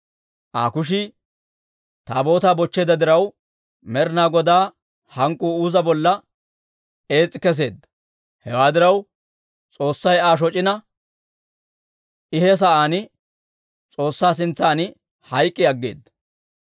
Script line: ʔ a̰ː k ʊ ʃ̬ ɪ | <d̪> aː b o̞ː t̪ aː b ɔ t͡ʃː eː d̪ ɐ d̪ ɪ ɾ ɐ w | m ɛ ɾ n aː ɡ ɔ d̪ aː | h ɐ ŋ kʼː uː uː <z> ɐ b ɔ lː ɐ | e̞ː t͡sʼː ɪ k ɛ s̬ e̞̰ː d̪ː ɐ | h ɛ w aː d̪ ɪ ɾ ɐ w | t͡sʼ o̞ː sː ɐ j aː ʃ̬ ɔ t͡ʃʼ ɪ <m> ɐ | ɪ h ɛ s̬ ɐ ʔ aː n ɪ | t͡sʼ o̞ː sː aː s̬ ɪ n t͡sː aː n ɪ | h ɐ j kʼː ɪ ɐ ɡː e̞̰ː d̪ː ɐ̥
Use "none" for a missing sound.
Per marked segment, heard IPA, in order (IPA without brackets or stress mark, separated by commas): t̪, z, n